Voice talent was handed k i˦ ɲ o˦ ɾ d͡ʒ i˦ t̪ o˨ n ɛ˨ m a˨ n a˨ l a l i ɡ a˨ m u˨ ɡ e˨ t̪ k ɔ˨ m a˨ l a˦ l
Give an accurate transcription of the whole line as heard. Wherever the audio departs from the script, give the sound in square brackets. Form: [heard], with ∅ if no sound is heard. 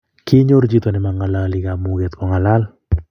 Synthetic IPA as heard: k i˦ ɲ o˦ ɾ d͡ʒ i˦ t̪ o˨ n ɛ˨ m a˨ [ŋ] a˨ l a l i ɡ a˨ m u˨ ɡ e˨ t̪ k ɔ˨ [ŋ] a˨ l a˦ l